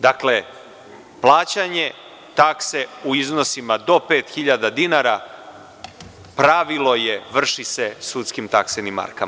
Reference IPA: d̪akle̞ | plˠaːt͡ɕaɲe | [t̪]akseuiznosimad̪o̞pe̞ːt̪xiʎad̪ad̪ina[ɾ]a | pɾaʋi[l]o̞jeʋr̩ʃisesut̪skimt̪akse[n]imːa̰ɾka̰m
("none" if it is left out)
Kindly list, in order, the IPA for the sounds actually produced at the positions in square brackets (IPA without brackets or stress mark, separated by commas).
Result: t̪, ɾ, l, n